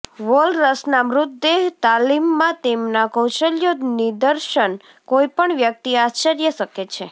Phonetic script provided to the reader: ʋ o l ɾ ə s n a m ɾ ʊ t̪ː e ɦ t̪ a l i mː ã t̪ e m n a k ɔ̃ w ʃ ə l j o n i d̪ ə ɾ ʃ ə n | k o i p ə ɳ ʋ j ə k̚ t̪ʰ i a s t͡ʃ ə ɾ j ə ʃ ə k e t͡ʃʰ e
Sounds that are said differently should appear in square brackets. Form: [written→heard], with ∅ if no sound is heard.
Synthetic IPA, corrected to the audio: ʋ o l ɾ ə s n a m ɾ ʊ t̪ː e ɦ t̪ a l i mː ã t̪ e m n a k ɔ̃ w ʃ ə l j o n i d̪ ə ɾ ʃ ə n | k o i p ə ɳ ʋ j ə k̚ [t̪ʰ→t̪] i a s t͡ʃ ə ɾ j ə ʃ ə k e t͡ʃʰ e